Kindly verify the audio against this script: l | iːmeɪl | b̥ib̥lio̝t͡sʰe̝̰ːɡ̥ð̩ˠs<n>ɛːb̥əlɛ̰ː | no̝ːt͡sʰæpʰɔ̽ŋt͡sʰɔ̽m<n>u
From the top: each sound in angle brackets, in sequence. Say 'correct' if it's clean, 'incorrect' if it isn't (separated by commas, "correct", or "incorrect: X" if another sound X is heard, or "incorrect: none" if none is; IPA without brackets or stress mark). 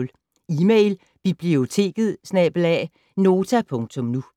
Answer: correct, correct